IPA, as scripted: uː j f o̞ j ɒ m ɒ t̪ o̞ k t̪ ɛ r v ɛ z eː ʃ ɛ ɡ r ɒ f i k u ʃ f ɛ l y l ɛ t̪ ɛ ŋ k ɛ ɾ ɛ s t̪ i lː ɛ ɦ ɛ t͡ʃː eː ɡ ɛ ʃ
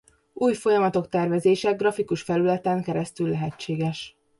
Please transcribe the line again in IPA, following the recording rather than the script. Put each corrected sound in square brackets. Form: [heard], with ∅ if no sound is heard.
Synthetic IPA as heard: uː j f o̞ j ɒ m ɒ t̪ o̞ k t̪ ɛ r v ɛ z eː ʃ ɛ ɡ r ɒ f i k u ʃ f ɛ l y l ɛ t̪ ɛ ŋ k ɛ ɾ ɛ s t̪ [y] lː ɛ ɦ ɛ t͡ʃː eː ɡ ɛ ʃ